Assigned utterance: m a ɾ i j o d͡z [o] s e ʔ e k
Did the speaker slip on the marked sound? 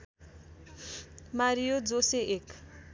no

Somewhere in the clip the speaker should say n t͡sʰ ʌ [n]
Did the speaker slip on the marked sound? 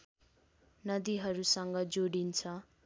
yes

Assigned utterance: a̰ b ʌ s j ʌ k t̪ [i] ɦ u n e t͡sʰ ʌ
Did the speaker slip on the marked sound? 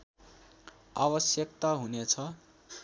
yes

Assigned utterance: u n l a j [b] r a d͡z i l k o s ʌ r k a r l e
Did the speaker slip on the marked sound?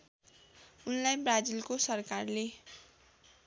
no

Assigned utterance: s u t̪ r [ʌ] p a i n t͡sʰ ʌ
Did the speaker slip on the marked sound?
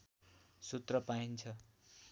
no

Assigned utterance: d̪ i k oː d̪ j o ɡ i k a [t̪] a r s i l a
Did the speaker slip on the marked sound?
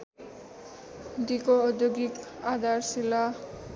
yes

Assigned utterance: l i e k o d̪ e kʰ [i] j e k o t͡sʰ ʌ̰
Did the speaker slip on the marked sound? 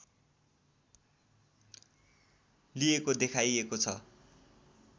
yes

